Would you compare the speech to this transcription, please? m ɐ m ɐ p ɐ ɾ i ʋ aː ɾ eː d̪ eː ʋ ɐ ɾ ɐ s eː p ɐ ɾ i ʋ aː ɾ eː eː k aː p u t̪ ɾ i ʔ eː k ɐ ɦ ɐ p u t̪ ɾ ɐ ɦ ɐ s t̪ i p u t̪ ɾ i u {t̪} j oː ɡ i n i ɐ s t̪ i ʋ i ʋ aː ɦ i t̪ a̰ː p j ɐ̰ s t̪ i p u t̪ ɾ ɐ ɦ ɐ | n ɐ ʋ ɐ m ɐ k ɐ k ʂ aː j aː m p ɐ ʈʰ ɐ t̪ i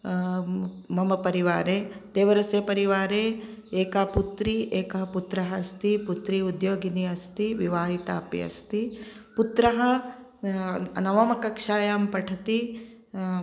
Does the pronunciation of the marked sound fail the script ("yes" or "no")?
yes